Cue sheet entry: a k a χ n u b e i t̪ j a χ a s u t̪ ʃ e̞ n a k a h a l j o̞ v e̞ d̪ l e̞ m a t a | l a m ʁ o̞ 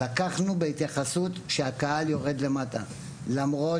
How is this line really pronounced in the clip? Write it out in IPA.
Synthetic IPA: a k a χ n u b e i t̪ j a χ a s u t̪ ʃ e̞ a k a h a l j o̞ ʁ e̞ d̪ l e̞ m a t a | l a m ʁ o̞